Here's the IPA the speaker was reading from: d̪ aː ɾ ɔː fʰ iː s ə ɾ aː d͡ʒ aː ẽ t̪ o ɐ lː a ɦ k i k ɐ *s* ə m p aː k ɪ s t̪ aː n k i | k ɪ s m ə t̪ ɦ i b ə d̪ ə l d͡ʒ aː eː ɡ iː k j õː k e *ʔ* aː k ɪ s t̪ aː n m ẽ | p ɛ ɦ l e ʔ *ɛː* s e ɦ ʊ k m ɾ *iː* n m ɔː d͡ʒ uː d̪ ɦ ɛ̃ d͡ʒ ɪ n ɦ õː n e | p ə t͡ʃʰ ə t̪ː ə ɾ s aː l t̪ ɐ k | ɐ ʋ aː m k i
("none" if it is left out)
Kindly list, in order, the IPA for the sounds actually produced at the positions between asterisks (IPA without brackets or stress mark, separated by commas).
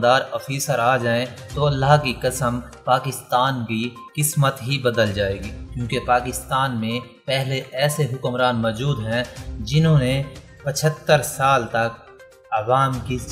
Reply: s, p, ɛː, aː